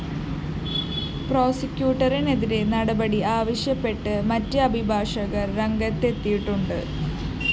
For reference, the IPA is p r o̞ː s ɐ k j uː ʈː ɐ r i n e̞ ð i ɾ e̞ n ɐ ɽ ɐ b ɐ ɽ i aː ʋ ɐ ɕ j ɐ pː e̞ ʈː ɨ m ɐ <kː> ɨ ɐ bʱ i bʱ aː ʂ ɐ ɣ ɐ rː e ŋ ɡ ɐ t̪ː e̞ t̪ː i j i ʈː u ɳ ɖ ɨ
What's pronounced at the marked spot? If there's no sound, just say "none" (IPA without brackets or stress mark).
tː